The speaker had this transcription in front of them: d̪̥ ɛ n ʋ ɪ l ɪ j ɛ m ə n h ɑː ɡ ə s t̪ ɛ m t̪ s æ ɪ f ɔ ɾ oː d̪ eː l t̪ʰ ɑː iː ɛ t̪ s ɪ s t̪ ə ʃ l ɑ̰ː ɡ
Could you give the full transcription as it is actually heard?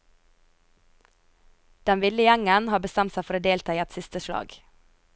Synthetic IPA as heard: d̪̥ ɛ n ʋ ɪ l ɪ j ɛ ŋ ə n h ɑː b ə s t̪ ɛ m t̪ s æ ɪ f ɔ ɾ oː d̪ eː l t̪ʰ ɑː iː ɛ t̪ s ɪ s t̪ ə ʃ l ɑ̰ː ɡ